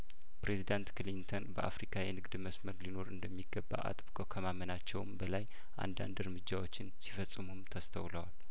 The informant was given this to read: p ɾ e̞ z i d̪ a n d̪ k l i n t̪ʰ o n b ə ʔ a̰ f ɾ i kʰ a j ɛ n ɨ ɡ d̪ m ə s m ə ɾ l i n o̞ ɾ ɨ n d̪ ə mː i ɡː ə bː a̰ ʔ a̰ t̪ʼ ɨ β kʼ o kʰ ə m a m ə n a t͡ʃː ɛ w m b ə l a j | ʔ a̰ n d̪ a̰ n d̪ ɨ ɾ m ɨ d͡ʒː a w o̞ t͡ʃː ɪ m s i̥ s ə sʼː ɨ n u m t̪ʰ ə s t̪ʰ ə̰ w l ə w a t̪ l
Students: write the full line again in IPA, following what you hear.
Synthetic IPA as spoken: p ɾ e̞ z i d̪ a n t̪ k l i n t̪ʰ o n b ə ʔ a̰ f ɾ i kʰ a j ɛ n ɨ ɡ d̪ m ə s m ə ɾ l i n o̞ ɾ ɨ n d̪ ə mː i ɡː ə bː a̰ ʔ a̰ t̪ʼ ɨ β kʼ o kʰ ə m a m ə n a t͡ʃː ɛ w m b ə l a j | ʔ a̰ n d̪ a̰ n d̪ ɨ ɾ m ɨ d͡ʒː a w o̞ t͡ʃː ɪ n s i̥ f ə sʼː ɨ m u m t̪ʰ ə s t̪ʰ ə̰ w l ə w a l